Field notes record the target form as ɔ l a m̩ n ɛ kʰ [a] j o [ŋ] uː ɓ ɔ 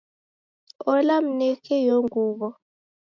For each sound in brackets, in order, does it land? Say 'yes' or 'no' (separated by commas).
no, yes